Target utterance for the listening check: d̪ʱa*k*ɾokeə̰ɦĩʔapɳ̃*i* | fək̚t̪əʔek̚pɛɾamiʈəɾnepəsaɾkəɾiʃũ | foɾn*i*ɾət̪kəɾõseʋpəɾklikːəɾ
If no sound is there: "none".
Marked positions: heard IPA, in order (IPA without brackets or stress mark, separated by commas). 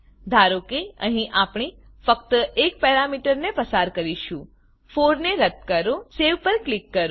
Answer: none, i, e